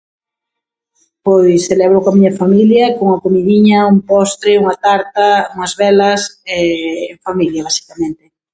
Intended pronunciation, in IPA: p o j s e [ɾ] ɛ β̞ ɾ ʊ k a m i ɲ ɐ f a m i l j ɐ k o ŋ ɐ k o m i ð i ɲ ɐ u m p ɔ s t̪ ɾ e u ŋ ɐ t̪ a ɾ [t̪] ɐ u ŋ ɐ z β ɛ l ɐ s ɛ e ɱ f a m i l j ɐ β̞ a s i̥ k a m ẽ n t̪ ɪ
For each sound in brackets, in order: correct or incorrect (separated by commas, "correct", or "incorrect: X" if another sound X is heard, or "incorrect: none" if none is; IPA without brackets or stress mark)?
incorrect: l, correct